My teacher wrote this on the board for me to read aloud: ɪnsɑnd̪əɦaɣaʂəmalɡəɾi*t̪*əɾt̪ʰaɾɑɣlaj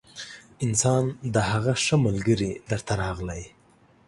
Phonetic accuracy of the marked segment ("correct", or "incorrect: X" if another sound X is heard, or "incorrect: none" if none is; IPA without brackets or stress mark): incorrect: d̪